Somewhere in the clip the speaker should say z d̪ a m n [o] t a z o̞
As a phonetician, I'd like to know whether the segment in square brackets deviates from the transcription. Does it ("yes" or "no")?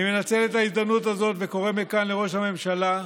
yes